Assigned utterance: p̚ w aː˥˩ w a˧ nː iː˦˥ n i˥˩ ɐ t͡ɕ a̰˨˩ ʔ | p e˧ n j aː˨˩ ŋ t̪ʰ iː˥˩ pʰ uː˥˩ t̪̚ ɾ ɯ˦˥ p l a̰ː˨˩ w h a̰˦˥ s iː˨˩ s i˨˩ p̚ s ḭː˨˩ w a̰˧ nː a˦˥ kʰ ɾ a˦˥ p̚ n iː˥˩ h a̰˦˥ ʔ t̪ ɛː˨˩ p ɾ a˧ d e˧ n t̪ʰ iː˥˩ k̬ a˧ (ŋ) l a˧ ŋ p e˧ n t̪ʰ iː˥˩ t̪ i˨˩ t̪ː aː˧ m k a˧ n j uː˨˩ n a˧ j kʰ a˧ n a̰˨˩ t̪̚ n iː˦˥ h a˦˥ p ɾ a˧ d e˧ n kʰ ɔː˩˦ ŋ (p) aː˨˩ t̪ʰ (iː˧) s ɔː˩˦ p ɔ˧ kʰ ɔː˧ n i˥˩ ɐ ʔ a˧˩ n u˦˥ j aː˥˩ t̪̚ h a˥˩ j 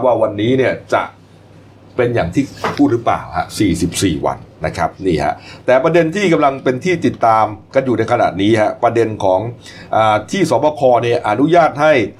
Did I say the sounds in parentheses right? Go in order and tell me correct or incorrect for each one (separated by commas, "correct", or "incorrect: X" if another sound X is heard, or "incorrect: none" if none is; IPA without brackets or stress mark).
incorrect: m, incorrect: ʔ, incorrect: iː˥˩